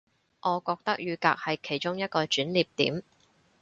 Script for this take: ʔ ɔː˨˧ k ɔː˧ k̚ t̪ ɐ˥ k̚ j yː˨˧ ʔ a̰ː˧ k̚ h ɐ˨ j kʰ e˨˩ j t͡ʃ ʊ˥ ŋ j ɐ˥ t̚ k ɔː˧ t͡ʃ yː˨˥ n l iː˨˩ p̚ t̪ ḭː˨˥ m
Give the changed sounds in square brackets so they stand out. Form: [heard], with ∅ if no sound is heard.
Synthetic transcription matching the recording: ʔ ɔː˨˧ k ɔː˧ k̚ t̪ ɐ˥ k̚ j yː˨˧ [k] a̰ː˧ k̚ h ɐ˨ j kʰ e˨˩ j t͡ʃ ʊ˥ ŋ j ɐ˥ t̚ k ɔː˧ t͡ʃ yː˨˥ n l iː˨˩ p̚ t̪ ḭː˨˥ m